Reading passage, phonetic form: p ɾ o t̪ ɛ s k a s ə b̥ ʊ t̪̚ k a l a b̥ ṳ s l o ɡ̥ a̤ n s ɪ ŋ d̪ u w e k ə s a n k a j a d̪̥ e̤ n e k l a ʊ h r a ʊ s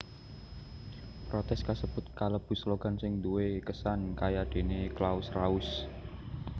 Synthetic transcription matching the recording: p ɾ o t̪ ɛ s k a s ə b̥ ʊ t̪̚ k a l ə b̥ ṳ s l o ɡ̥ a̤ n s ɪ ŋ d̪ u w e k ə s a n k a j a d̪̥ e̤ n e k l a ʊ s r a ʊ s

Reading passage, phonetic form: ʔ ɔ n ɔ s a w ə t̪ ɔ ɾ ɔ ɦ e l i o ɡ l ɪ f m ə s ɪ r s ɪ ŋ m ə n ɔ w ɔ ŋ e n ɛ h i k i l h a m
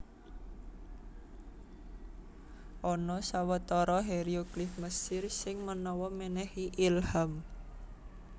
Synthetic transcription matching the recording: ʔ ɔ n ɔ s a w ə t̪ ɔ ɾ ɔ ɦ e ɾ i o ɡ l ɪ f m ə s ɪ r s ɪ ŋ m ə n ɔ w ɔ m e n ɛ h i ʔ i l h a m

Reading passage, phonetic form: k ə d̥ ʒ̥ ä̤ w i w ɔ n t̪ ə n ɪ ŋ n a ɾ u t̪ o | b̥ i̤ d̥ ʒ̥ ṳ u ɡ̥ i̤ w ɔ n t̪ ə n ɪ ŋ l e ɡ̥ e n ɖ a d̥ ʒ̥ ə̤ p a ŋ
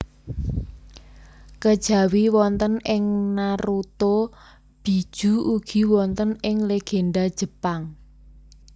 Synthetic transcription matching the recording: k ə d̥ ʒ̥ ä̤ w i w ɔ n t̪ ə n ɪ ŋ n a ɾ u t̪ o | b̥ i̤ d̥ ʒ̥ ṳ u ɡ̥ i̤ w ɔ n t̪ ə n ɪ ŋ l e ɡ̥ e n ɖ a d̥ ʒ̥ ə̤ p a ŋ

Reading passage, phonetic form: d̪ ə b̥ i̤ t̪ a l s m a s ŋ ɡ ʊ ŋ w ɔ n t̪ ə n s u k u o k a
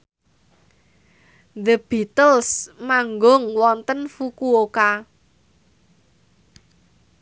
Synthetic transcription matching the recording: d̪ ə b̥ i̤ t̪ ə l s m a ŋ ɡ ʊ ŋ w ɔ n t̪ ə n f u k u o k a

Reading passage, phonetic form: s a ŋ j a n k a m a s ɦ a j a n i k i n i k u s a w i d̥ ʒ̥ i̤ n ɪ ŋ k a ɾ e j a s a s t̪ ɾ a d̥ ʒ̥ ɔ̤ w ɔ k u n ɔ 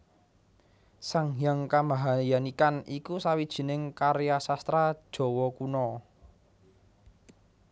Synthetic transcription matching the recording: s a ŋ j a ŋ k a m a ɦ a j a n i k a n i k u s a w i d̥ ʒ̥ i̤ n ɪ ŋ k a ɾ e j a s a s t̪ ɾ a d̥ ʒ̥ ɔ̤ w ɔ k u n ɔ

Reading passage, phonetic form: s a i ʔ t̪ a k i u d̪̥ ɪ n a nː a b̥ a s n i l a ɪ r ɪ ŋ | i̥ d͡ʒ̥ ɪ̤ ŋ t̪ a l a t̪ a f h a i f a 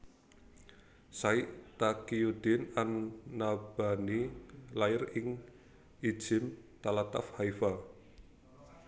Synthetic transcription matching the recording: s a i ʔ t̪ a k i u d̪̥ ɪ n a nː a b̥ a n i l a ɪ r ɪ ŋ | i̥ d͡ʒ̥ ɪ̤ m t̪ a l a t̪ a f h a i f a

